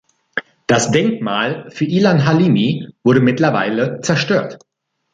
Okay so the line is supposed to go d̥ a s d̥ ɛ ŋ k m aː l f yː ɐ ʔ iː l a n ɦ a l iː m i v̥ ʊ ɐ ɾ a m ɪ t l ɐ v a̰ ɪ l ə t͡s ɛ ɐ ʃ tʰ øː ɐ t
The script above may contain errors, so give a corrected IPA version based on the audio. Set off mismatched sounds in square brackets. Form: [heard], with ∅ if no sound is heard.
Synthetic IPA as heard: d̥ a s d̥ ɛ ŋ k m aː l f yː ɐ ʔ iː l a n ɦ a l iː m i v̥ ʊ ɐ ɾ [ə] m ɪ t l ɐ v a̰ ɪ l ə t͡s ɛ ɐ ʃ [t] øː ɐ t